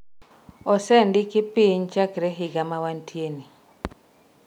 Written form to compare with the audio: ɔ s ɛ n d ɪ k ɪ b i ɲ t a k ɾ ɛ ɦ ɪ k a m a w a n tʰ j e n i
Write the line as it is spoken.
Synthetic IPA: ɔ s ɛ n d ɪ k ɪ p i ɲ t͡ʃ a k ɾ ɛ ɦ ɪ ɡ a m a w a n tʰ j e n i